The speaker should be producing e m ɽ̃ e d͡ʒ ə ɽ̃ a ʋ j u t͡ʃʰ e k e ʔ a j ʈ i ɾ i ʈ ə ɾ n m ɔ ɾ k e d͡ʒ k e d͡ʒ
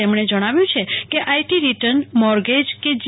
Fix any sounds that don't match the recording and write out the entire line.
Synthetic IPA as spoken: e m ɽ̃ e d͡ʒ ə ɽ̃ a ʋ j ũ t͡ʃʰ e k e ʔ a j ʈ i ɾ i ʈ ə ɾ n m ɔ ɾ ɡ e d͡ʒ k e d͡ʒ